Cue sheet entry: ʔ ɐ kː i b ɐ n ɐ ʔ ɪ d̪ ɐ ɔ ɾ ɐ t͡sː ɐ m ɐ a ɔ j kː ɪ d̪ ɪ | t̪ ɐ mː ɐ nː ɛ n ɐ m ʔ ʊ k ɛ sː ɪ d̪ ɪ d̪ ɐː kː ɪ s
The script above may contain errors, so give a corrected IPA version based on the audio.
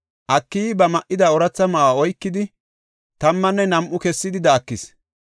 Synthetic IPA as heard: ʔ ɐ kː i b ɐ m ɐ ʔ ɪ d̪ ɐ ɔ ɾ ɐ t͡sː ɐ m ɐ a ɔ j kː ɪ d̪ ɪ | t̪ ɐ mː ɐ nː ɛ n ɐ m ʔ ʊ k ɛ sː ɪ d̪ ɪ d̪ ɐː kː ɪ s